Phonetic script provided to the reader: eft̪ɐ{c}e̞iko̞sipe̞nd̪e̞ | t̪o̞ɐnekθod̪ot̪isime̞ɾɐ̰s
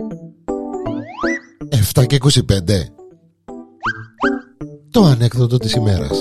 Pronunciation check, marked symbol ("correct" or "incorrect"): correct